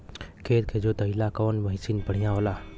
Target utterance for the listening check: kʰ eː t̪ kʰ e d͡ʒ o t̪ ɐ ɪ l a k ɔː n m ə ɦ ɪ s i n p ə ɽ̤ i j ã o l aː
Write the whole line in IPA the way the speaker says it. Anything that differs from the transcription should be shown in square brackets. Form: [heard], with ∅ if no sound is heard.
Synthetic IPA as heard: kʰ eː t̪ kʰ e d͡ʒ o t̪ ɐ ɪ l a k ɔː n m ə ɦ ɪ s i n p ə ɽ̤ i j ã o l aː